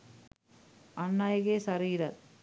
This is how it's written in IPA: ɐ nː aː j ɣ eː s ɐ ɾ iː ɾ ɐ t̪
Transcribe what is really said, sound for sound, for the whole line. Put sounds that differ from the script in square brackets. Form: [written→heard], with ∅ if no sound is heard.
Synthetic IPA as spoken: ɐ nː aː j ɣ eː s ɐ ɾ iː ɾ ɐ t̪